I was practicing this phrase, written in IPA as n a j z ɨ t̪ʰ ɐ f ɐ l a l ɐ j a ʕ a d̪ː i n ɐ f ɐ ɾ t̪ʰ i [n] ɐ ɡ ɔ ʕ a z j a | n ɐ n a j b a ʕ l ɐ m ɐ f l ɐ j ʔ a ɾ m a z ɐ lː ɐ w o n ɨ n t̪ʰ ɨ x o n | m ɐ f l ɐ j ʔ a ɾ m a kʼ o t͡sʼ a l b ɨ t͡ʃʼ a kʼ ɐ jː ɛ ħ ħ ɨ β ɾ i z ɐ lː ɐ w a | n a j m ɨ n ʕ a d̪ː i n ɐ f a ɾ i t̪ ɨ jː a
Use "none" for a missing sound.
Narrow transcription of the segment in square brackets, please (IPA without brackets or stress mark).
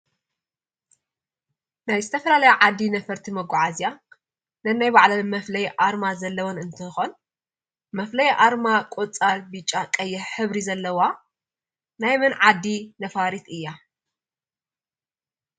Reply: m